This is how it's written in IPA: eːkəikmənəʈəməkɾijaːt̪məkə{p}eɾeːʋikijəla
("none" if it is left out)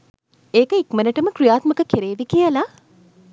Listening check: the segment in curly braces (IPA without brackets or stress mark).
k